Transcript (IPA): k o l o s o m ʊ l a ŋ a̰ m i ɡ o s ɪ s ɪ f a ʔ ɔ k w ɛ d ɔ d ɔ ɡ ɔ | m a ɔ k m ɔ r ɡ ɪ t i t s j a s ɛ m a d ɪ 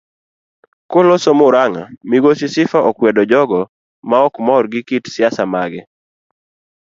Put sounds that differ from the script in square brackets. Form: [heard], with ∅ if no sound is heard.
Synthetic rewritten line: k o l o s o m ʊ [ɾ] a ŋ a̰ m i ɡ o s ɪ s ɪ f a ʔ ɔ k w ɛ d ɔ [d͡ʒ] ɔ ɡ ɔ | m a ɔ k m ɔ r ɡ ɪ [k] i t s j a s [a] m a [ɡ] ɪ